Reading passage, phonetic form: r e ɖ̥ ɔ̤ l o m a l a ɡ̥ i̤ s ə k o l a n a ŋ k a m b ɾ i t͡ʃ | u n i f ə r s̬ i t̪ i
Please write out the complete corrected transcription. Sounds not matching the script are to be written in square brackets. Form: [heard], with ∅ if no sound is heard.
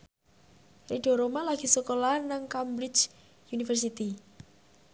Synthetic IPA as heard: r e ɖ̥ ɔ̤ [ɾ] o m a l a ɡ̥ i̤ s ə k o l a n a ŋ k a m b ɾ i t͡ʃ | u n i f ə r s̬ i t̪ i